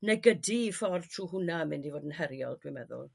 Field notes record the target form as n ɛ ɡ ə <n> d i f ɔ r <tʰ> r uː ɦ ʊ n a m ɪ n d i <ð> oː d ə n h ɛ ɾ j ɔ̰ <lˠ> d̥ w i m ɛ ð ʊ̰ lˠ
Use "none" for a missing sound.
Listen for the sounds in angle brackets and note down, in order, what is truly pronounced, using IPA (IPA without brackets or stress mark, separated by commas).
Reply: none, tʰ, v, lˠ